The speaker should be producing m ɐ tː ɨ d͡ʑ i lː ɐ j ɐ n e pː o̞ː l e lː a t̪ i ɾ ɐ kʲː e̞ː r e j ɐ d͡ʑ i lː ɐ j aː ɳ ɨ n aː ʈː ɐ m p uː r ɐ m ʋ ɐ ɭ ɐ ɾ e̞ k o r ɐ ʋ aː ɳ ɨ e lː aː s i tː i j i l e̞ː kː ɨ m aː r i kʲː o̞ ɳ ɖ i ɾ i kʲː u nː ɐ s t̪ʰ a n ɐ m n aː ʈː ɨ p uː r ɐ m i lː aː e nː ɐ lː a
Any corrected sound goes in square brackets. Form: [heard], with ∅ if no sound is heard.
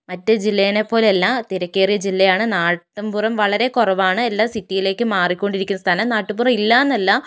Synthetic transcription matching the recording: m ɐ tː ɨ d͡ʑ i lː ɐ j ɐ n e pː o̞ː l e lː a t̪ i ɾ ɐ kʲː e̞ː r [i] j ɐ d͡ʑ i lː ɐ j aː ɳ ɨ n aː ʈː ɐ m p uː r ɐ m ʋ ɐ ɭ ɐ ɾ e̞ k o r ɐ ʋ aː ɳ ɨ e lː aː s i tː i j i l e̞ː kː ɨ m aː r i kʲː o̞ ɳ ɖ i ɾ i kʲː u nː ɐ s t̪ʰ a n ɐ m n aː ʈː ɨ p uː r ɐ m i lː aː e nː ɐ lː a